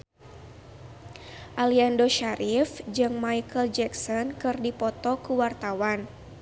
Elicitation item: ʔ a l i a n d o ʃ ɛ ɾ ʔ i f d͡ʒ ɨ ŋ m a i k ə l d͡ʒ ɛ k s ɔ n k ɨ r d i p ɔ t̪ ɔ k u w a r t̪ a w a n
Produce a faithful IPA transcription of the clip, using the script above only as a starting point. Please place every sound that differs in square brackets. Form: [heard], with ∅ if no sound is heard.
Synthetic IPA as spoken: ʔ a l i a n d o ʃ [a] ɾ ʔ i f d͡ʒ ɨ ŋ m a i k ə l d͡ʒ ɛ k s ɔ n k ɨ r d i p ɔ t̪ ɔ k u w a r t̪ a w a n